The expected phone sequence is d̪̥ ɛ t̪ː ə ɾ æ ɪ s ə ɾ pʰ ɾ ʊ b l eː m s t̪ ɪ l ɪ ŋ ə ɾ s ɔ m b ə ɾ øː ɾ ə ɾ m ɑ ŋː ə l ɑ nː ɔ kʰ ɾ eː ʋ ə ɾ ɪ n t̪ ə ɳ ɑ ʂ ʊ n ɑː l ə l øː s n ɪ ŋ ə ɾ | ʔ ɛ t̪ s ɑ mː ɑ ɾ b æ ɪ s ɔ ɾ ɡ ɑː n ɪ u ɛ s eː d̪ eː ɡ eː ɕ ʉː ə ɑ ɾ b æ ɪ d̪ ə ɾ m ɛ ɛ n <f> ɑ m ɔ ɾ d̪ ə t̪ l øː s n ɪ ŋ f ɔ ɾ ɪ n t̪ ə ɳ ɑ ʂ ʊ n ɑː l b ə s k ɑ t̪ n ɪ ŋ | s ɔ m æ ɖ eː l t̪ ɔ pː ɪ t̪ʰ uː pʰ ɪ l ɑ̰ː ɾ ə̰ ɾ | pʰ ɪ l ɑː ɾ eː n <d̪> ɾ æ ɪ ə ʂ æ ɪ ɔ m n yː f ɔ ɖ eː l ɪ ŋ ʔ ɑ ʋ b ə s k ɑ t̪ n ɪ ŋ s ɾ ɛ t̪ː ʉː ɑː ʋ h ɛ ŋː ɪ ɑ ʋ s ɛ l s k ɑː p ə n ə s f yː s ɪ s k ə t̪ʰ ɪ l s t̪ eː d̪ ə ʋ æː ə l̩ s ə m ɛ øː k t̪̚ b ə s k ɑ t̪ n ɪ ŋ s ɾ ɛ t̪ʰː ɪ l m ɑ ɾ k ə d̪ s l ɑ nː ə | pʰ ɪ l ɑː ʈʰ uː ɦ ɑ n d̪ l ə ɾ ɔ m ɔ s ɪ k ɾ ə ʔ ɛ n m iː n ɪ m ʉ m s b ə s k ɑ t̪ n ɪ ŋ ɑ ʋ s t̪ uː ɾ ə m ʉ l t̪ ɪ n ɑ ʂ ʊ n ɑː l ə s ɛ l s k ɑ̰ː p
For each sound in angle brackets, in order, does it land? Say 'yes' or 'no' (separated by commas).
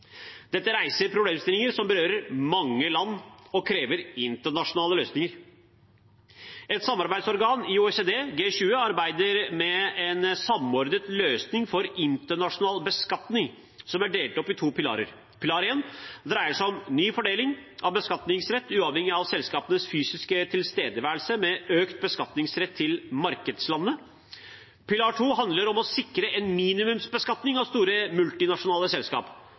no, yes